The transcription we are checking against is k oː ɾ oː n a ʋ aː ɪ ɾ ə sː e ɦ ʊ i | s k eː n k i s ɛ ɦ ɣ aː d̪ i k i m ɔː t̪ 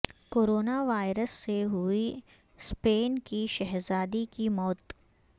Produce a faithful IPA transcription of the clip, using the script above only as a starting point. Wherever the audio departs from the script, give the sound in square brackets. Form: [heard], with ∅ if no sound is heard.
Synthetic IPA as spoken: k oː ɾ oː n a ʋ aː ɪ ɾ ə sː e ɦ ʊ i | s [p] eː n k i [ʃ] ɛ ɦ [z] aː d̪ i k i m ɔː t̪

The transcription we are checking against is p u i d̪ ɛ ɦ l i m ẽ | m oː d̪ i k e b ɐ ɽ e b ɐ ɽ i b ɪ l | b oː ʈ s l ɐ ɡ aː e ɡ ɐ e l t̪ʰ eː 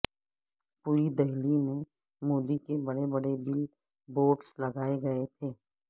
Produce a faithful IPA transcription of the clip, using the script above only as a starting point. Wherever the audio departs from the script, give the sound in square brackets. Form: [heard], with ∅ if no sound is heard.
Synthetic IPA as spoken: p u i d̪ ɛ ɦ l i m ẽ | m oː d̪ i k e b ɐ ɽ e b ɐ ɽ [e] b ɪ l | b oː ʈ s l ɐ ɡ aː e ɡ ɐ e [∅] t̪ʰ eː

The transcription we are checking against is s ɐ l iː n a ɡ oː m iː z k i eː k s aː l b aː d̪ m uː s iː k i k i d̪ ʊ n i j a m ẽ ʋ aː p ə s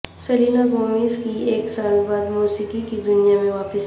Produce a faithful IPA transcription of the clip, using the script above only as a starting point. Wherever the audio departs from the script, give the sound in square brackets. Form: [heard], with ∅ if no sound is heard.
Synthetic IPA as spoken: s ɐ l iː n a ɡ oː m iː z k i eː k s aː l b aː d̪ m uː s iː k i k i d̪ ʊ n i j a m ẽ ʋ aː p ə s

